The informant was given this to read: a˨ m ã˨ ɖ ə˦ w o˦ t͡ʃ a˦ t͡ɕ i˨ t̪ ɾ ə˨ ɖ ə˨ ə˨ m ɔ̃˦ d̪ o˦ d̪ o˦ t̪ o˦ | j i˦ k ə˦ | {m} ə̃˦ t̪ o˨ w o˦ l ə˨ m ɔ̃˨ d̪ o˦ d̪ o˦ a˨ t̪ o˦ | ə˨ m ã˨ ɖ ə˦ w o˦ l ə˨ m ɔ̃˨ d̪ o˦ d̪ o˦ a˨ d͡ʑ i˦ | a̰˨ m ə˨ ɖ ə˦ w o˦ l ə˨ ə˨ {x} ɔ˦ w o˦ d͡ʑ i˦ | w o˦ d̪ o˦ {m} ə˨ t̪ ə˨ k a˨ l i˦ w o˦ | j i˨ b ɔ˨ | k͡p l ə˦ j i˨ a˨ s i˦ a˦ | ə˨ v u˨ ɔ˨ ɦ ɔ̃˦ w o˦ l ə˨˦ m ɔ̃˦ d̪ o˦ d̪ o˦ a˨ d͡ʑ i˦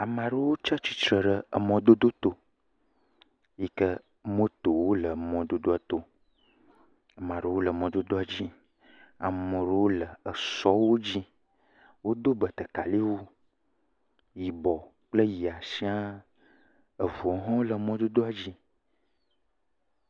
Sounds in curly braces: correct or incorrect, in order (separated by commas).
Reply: correct, incorrect, incorrect